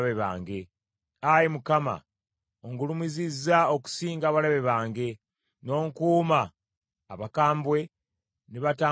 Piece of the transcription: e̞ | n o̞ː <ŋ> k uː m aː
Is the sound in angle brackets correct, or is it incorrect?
correct